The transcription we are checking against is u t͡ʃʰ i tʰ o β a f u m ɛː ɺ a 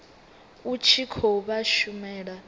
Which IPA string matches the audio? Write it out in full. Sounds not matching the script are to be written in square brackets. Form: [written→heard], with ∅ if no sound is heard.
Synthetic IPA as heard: u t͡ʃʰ i [tʰ→kʰ] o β a [f→ʃ] u m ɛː ɺ a